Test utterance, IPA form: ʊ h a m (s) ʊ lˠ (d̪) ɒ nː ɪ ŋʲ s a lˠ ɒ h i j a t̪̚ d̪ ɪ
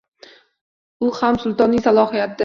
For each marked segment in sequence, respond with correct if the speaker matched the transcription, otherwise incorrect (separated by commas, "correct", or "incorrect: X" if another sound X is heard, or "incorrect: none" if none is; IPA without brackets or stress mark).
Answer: correct, incorrect: t̪